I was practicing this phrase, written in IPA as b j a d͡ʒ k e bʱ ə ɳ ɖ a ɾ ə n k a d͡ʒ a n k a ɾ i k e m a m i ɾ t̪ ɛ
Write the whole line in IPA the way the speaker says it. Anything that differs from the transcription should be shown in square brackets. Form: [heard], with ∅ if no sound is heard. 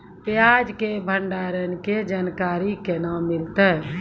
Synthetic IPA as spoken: [p] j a d͡ʒ k e bʱ ə ɳ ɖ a ɾ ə n k [e] d͡ʒ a n k a ɾ i k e [n] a m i [l] t̪ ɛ